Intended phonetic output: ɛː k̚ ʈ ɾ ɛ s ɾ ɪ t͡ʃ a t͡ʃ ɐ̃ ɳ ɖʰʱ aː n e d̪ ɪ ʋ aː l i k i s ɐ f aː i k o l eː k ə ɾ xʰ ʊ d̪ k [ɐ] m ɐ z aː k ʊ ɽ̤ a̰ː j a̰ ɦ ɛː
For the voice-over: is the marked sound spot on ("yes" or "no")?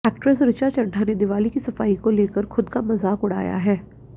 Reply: no